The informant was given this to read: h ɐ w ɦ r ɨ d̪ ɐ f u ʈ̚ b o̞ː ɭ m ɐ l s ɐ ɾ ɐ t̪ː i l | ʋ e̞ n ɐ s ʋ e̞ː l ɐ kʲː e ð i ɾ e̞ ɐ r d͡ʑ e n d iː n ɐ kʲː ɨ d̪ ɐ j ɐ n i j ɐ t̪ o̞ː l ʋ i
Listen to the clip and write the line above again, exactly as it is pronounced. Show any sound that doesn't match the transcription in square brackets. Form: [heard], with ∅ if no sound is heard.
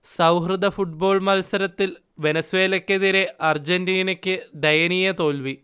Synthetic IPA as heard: [s] ɐ w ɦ r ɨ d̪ ɐ f u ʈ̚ b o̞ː ɭ m ɐ l s ɐ ɾ ɐ t̪ː i l | ʋ e̞ n ɐ s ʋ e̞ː l ɐ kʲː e ð i ɾ e̞ ɐ r d͡ʑ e n d iː n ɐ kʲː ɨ d̪ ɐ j ɐ n i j ɐ t̪ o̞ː l ʋ i